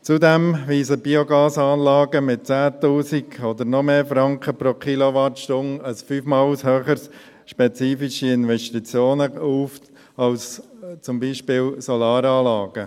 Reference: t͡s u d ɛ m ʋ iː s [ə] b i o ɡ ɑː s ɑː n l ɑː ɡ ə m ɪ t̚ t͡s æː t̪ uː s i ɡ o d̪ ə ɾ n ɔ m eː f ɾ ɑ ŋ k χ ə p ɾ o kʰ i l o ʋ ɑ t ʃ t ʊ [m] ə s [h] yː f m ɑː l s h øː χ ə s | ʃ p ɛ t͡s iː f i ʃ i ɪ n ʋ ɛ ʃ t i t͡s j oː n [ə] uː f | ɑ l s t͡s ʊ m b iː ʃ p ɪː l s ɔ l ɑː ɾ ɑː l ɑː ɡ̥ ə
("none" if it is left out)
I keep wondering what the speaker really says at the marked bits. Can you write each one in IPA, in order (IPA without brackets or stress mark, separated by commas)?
ə, n, f, ə